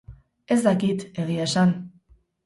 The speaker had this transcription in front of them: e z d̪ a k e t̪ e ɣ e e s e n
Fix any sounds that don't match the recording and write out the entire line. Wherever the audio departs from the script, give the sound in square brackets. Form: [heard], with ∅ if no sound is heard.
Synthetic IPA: e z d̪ a k [i] t̪ e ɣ [i] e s [a] n